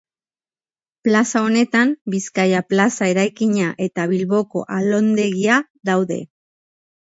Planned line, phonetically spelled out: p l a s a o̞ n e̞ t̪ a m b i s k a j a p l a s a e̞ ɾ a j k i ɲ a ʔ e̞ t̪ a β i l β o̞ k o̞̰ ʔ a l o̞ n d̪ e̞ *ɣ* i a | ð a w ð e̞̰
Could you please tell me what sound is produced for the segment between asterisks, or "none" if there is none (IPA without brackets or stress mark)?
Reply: ɣ